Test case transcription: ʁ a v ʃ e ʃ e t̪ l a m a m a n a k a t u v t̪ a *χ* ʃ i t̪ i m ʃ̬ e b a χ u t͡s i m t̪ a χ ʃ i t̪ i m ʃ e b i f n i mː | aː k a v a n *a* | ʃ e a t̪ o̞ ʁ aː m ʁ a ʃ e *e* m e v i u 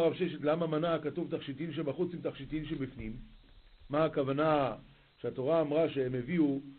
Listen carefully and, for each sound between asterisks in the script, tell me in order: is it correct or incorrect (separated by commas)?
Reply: correct, correct, correct